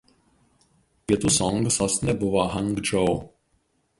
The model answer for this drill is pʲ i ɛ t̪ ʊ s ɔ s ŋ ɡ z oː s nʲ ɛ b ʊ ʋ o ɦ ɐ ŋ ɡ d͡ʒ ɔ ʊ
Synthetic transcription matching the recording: pʲ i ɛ t̪ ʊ s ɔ ŋ ɡ s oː s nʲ ɛ b ʊ ʋ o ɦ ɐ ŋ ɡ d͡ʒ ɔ ʊ